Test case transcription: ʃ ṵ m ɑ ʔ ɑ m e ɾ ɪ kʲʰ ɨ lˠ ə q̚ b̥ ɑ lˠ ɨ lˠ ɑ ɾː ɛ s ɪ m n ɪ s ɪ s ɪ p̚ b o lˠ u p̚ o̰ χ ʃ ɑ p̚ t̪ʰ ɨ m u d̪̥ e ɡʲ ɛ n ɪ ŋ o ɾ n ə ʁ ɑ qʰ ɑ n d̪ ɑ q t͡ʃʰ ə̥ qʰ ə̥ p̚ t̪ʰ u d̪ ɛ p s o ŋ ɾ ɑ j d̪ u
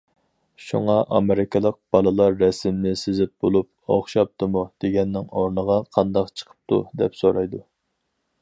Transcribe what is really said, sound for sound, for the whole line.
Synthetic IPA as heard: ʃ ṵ ŋ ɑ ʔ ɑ m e ɾ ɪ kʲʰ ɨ lˠ ə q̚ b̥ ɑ lˠ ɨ lˠ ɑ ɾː ɛ s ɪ m n ɪ s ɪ z ɪ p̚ b o lˠ u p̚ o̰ χ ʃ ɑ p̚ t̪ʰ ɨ m u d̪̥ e ɡʲ ɛ nː ɪ ŋ o ɾ n ə ʁ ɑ qʰ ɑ n d̪ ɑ q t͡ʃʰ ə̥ qʰ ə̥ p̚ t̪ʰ u d̪ ɛ p s o ɾ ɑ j d̪ u